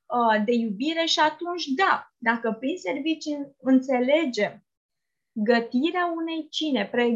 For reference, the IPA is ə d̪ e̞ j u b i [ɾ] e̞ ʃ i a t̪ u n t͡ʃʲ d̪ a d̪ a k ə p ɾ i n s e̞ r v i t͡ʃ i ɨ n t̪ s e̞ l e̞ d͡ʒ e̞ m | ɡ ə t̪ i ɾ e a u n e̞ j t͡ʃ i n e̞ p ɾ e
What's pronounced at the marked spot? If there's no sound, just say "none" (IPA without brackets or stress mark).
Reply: ɾ